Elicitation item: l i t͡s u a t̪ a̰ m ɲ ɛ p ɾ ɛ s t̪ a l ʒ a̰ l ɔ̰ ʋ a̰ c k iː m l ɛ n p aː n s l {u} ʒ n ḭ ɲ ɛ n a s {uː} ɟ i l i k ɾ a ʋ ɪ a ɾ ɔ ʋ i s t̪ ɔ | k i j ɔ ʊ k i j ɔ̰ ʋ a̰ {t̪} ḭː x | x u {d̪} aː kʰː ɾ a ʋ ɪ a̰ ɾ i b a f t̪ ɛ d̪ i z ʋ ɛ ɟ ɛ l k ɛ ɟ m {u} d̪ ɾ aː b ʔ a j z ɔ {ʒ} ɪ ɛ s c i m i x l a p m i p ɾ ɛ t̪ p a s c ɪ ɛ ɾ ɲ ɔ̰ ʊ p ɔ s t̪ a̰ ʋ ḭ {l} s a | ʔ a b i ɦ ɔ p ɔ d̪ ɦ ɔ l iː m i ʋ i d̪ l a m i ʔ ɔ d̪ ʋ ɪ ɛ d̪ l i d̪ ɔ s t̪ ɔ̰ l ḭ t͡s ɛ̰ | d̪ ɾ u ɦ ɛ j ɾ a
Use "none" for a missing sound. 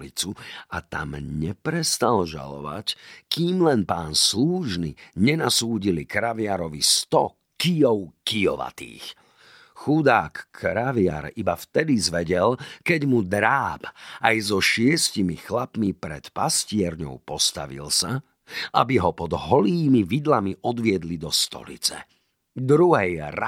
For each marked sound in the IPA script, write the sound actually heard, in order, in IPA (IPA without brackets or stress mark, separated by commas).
uː, uː, t̪, d̪, u, ʃ, l